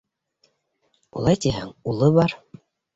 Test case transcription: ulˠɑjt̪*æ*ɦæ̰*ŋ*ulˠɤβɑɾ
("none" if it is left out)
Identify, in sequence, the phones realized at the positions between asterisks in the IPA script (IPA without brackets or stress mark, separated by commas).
i, ŋ